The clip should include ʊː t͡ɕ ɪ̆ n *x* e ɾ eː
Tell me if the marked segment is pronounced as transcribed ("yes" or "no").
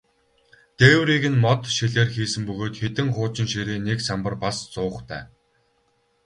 no